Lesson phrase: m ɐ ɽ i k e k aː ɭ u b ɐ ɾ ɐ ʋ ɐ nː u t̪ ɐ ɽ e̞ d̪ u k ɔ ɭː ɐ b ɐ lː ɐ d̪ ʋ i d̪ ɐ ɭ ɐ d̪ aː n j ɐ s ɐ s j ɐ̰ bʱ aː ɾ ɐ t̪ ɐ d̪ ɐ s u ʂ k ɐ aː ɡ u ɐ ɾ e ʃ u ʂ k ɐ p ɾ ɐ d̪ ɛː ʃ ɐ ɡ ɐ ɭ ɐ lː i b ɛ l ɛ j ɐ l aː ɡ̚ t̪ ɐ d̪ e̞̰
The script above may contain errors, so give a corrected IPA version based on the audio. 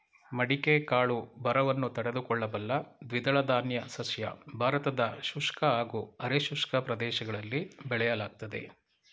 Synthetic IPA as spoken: m ɐ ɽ i k e k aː ɭ u b ɐ ɾ ɐ ʋ ɐ nː u t̪ ɐ ɽ e̞ d̪ u k ɔ ɭː ɐ b ɐ lː ɐ d̪ ʋ i d̪ ɐ ɭ ɐ d̪ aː n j ɐ s ɐ s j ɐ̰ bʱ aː ɾ ɐ t̪ ɐ d̪ ɐ ʃ u ʂ k ɐ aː ɡ u ɐ ɾ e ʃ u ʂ k ɐ p ɾ ɐ d̪ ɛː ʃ ɐ ɡ ɐ ɭ ɐ lː i b ɛ ɭ ɛ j ɐ l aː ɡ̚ t̪ ɐ d̪ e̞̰